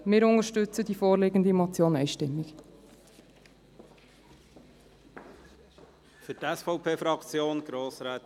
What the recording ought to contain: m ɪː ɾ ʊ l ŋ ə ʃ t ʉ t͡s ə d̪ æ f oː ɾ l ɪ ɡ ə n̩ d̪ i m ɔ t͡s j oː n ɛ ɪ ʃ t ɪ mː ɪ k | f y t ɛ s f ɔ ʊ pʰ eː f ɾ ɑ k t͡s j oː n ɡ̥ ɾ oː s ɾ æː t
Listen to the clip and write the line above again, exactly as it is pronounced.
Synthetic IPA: m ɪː ɾ ʊ ŋ ə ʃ t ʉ t͡s ə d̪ i f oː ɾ l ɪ ɡ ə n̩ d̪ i m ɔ t͡s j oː n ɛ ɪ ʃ t ɪ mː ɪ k | f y t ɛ s f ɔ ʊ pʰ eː f ɾ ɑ k t͡s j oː n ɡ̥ ɾ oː s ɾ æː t